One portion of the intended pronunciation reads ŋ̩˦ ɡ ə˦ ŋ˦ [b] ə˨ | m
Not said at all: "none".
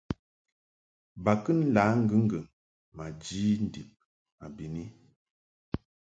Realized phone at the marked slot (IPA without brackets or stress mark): ɡ